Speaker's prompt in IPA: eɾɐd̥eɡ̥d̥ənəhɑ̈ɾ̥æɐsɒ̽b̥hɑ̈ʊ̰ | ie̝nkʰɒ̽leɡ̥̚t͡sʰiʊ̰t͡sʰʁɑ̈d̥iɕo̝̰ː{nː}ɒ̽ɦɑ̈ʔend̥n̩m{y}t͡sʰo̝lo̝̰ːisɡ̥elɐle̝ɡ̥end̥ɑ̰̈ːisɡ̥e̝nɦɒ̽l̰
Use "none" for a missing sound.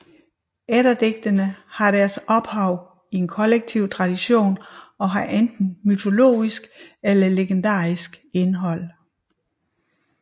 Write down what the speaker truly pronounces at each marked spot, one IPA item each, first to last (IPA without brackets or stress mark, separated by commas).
n, y